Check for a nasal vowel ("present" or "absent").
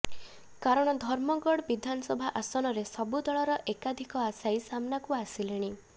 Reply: absent